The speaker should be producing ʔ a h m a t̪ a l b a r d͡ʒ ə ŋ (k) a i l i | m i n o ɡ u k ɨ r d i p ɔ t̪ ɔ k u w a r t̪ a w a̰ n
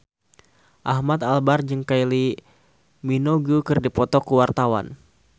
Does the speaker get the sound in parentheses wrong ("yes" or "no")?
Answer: no